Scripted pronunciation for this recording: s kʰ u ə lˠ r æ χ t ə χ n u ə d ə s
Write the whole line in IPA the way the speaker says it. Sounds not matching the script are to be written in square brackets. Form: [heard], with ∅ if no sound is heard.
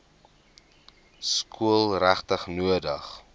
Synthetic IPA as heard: s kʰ u ə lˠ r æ χ t ə χ n u ə d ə [χ]